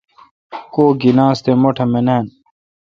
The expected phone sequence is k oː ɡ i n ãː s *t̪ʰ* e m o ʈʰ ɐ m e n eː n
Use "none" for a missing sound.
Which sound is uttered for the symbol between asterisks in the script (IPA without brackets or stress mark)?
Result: t̪